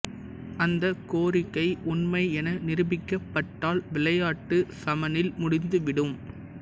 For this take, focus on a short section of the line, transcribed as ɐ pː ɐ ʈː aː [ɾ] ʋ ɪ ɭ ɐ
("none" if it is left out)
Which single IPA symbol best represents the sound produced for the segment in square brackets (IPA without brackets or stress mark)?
l